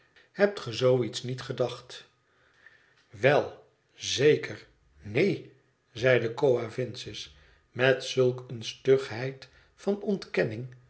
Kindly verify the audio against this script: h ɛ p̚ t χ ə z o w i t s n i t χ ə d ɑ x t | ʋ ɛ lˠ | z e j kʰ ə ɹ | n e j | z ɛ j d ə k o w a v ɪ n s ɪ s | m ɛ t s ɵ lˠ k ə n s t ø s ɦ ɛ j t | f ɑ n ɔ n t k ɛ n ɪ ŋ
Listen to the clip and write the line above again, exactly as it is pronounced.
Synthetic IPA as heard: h ɛ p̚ t χ ə z o w i t s n i t χ ə d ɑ χ t | ʋ ɛ lˠ | z e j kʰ ə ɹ | n e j | z ɛ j d ə k o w a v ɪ n s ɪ s | m ɛ t s ɵ lˠ k ə n s t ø χ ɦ ɛ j t | f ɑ n ɔ n t k ɛ n ɪ ŋ